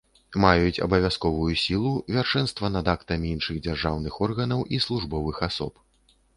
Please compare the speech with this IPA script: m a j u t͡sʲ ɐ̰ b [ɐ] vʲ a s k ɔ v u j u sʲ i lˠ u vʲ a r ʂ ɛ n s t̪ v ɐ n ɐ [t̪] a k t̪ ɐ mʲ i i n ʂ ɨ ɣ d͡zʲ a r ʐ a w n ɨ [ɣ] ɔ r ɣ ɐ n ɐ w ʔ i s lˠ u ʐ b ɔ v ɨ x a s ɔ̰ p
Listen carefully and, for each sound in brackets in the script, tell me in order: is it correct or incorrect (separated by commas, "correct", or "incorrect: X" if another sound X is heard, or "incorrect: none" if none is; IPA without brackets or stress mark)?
correct, incorrect: d̪, incorrect: x